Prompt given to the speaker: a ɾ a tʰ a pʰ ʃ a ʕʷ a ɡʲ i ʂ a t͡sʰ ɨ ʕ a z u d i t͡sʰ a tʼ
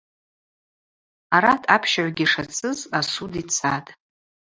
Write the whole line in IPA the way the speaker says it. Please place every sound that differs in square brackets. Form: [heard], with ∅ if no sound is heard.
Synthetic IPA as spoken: a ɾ a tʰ a pʰ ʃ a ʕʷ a ɡʲ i ʂ a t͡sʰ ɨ [z] a [s] u d i t͡sʰ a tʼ